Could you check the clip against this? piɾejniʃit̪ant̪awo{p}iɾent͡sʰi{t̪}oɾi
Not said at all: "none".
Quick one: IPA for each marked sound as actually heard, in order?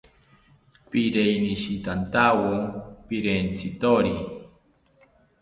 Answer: p, t̪

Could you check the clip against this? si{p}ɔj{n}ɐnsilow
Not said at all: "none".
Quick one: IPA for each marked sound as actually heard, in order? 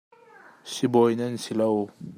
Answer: b, n

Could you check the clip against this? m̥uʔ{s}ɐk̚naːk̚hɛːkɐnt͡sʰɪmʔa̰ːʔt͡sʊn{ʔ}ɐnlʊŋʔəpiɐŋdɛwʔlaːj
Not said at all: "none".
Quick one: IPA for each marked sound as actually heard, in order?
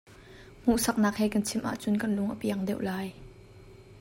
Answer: s, k

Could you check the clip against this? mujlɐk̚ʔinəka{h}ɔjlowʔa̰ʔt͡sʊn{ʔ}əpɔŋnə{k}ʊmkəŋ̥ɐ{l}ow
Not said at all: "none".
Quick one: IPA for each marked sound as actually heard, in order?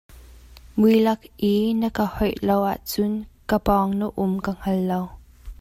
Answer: h, k, ʔ, lː

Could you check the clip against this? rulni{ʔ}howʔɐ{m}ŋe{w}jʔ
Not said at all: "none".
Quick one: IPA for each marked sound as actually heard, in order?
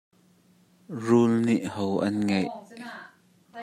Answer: ʔ, n, none

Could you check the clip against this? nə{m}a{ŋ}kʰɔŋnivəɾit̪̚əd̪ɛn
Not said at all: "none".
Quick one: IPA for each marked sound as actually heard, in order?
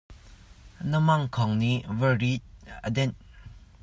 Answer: m, ŋ

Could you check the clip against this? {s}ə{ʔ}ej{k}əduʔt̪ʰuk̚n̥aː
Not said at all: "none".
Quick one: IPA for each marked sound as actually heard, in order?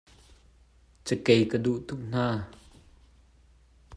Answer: t͡s, k, k

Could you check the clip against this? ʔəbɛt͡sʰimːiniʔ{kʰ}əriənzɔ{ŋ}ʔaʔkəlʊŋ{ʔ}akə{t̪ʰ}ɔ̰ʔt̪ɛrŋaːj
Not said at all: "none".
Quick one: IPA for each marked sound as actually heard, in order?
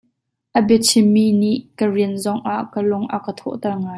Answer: k, ŋ, ʔ, t̪ʰ

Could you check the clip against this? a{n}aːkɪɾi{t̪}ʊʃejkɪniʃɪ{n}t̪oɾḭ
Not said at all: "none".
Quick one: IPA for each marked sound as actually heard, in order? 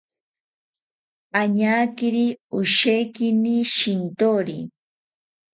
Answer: ɲ, none, n

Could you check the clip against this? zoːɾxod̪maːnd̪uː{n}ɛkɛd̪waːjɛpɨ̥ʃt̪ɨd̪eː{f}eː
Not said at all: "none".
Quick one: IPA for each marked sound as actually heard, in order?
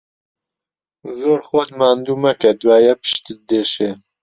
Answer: m, ʃ

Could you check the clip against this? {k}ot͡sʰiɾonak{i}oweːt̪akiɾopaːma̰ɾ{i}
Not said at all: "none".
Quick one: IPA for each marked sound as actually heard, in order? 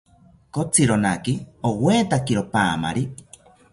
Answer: k, i, i

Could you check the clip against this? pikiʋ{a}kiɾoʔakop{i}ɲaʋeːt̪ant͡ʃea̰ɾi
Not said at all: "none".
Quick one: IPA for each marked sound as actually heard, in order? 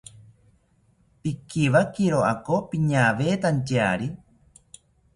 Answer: a, i

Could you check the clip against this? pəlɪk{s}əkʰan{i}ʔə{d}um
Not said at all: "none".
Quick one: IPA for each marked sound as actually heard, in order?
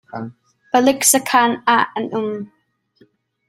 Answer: s, a, n

